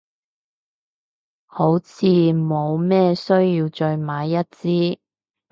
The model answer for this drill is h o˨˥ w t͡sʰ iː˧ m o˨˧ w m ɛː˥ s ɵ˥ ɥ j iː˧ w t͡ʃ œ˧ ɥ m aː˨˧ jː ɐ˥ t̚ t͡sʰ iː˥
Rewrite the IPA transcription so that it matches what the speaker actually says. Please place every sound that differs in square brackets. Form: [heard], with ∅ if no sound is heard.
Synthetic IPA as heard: h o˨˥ w t͡sʰ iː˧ m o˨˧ w m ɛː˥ s ɵ˥ ɥ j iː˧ w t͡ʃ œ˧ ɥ m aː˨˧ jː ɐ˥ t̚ [t͡s] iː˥